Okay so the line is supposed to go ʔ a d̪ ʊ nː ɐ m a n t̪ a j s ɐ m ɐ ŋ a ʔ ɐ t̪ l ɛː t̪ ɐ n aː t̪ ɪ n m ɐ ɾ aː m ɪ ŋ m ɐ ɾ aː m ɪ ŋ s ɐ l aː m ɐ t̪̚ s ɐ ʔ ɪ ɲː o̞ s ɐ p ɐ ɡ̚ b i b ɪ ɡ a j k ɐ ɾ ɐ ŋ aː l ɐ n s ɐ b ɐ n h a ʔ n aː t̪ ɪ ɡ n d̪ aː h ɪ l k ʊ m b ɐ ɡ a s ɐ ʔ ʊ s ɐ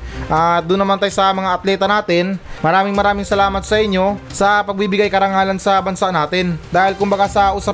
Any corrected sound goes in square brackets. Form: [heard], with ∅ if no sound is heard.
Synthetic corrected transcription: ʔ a d̪ ʊ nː ɐ m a n t̪ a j s ɐ m ɐ ŋ a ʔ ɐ t̪ l ɛː t̪ ɐ n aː t̪ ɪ n m ɐ ɾ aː m ɪ ŋ m ɐ ɾ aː m ɪ ŋ s ɐ l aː m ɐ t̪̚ s ɐ ʔ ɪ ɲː o̞ s ɐ p ɐ ɡ̚ b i b ɪ ɡ a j k ɐ ɾ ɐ ŋ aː l ɐ n s ɐ b ɐ n [s] a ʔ n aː t̪ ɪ [∅] n d̪ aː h ɪ l k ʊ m b ɐ ɡ a s ɐ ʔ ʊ s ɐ